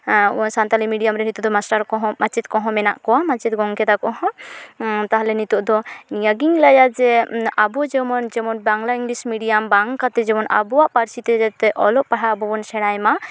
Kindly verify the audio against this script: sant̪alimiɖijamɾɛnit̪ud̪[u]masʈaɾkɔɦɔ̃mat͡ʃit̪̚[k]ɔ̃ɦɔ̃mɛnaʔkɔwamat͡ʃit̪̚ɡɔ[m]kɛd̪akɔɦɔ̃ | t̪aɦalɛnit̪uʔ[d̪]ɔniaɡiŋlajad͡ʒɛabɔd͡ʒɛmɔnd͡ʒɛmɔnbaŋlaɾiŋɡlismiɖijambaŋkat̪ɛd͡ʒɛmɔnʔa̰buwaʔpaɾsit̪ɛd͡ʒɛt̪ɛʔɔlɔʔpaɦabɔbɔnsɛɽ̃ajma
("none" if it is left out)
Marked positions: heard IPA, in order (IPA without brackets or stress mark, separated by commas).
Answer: ɔ, k, ŋ, d̪